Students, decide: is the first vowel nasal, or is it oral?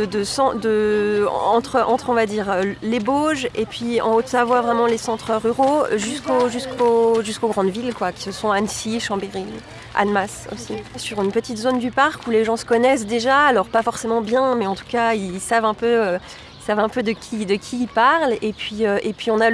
oral